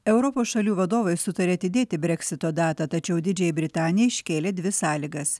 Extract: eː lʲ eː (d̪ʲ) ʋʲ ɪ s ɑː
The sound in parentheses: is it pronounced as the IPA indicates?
yes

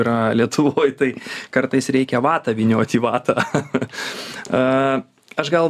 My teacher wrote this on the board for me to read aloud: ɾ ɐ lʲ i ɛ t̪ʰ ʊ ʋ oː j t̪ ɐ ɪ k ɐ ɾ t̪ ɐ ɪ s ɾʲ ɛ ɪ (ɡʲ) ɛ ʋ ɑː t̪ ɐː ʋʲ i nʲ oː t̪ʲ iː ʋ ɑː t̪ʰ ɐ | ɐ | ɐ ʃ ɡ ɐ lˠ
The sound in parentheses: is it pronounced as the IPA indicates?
no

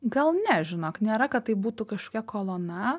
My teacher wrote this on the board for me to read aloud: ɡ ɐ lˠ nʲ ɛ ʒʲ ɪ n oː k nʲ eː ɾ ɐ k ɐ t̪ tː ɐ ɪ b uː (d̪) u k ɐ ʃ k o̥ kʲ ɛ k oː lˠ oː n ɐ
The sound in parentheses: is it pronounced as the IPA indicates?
no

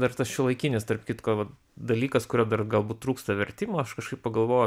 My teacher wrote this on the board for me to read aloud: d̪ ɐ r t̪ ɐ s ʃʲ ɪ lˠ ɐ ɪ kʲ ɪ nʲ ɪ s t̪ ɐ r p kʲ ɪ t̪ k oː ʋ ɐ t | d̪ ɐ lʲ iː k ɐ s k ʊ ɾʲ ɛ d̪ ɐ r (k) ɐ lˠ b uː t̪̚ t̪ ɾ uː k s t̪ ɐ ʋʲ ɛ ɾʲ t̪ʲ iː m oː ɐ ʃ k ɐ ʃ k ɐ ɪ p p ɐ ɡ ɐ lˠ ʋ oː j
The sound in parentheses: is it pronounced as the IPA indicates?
no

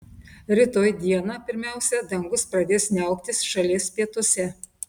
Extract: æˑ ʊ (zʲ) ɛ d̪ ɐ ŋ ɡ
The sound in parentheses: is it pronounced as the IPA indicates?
no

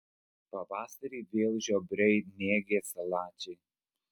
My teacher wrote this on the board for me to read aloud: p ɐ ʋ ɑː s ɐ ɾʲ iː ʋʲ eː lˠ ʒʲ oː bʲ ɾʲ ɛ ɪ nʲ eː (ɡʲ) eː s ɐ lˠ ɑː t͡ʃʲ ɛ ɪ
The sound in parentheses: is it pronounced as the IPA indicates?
yes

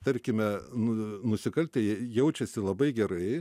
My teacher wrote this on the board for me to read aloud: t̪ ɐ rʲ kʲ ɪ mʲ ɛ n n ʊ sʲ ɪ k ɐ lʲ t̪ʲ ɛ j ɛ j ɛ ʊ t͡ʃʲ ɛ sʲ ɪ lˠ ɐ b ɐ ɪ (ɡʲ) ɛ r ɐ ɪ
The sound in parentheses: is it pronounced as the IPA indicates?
yes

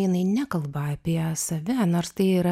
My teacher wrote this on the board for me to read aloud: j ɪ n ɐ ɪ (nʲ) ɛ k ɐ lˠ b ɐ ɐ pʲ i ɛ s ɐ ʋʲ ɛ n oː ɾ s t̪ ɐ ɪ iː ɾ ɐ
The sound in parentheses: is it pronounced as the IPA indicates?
yes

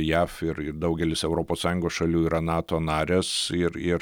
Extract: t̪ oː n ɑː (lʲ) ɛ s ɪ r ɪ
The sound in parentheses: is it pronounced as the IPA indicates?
no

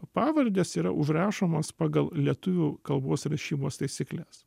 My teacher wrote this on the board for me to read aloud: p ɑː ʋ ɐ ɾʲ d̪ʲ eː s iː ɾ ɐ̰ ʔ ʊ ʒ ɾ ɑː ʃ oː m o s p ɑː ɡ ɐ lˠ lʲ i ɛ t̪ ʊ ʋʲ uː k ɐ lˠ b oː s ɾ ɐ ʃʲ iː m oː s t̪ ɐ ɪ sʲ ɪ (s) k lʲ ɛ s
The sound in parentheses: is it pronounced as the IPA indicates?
no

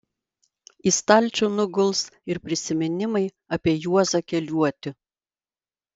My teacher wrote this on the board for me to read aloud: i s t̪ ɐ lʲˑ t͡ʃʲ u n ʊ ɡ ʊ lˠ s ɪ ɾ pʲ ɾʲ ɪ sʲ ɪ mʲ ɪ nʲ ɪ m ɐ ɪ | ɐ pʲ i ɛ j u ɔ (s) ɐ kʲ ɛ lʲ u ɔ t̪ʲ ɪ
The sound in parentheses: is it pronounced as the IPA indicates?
no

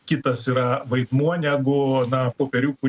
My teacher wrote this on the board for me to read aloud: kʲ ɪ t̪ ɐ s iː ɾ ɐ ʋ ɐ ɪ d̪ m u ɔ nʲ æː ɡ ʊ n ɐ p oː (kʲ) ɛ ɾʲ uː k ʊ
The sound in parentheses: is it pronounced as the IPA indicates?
no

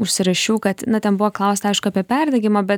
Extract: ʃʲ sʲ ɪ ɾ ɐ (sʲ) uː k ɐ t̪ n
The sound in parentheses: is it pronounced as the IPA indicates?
no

